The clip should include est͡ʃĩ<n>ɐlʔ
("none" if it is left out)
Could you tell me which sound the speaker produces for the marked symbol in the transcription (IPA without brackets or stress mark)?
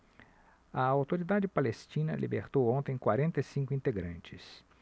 n